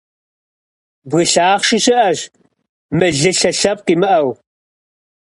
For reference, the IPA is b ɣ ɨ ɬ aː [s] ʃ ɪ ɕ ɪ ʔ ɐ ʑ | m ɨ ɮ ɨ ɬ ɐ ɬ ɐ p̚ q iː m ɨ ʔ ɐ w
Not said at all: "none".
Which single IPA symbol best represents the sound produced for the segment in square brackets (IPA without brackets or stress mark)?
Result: χ